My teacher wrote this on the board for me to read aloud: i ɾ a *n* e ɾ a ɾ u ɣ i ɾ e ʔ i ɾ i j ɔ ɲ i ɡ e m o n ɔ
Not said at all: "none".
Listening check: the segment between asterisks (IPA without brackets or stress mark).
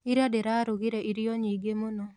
d